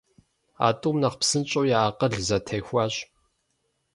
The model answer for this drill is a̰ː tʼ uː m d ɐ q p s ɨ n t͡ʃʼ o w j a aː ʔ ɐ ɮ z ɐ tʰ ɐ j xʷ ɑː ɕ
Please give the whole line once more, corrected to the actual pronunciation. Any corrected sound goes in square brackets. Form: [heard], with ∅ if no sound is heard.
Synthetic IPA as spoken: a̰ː tʼ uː m [n] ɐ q p s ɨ n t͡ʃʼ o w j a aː [q] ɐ ɮ z ɐ tʰ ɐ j xʷ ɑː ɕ

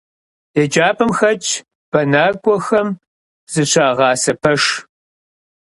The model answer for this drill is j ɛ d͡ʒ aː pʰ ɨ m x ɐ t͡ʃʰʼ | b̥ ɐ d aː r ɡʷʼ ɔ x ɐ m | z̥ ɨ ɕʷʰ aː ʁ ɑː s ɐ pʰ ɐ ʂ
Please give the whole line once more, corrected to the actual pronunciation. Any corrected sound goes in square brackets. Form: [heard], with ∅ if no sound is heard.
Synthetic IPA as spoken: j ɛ d͡ʒ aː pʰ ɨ m x ɐ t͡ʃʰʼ | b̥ ɐ [n] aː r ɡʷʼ ɔ x ɐ m | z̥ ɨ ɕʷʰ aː ʁ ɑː s ɐ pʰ ɐ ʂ

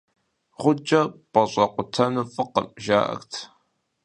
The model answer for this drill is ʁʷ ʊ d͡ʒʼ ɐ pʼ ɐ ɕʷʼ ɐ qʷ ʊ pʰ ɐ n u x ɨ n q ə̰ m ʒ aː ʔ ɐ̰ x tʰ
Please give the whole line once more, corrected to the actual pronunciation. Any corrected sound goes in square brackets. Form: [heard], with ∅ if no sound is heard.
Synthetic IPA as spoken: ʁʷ ʊ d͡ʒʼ ɐ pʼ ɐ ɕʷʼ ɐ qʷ ʊ [tʰ] ɐ n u [f] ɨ [∅] q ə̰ m ʒ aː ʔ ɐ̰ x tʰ

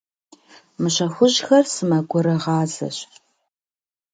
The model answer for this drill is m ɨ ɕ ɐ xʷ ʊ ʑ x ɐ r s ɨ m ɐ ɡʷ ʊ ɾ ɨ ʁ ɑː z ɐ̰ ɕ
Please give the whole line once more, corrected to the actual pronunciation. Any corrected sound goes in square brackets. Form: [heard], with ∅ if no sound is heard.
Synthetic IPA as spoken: m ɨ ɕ ɐ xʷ ʊ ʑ x ɐ r s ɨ m ɐ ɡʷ ʊ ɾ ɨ ʁ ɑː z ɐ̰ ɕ

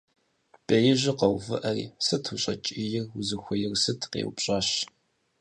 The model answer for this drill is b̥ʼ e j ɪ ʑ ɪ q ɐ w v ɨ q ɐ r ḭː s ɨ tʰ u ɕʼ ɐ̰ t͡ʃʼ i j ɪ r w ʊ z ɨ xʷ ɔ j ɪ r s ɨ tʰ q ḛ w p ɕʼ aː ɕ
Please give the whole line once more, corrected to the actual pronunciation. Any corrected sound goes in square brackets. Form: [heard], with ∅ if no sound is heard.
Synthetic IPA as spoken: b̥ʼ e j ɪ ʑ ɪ q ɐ w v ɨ [ʔ] ɐ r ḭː s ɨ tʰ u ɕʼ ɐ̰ t͡ʃʼ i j ɪ r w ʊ z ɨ xʷ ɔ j ɪ r s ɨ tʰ q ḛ w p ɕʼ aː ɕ

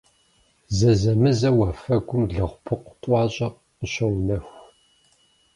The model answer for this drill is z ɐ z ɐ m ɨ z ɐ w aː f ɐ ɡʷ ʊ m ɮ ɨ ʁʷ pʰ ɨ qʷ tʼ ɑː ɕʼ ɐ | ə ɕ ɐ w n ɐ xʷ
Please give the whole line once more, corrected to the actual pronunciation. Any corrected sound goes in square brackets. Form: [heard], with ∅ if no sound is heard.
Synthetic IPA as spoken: z ɐ z ɐ m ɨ z ɐ w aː f ɐ ɡʷ ʊ m ɮ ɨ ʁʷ pʰ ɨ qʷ tʼ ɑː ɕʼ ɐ | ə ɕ ɐ w n ɐ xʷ

